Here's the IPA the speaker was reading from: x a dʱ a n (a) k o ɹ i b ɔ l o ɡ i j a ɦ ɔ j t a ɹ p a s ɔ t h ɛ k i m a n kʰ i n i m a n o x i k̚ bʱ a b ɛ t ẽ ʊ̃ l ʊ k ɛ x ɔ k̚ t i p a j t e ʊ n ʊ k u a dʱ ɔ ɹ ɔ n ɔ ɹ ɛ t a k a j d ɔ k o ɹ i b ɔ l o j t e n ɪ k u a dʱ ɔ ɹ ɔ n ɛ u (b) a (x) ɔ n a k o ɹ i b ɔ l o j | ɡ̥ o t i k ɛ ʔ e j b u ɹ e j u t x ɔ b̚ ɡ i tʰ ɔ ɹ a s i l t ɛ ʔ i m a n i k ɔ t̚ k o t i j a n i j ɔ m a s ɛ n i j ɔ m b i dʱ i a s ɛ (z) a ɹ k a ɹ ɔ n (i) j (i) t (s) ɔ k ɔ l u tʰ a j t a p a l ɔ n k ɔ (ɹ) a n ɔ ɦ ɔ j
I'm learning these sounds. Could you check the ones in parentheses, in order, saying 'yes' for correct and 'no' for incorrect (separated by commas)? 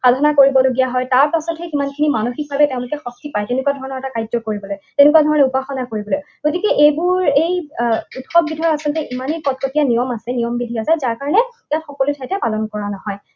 yes, no, yes, yes, no, no, no, yes